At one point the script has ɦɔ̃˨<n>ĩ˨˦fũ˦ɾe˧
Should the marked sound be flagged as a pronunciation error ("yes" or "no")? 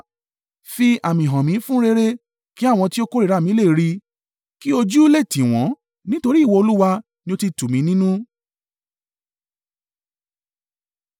yes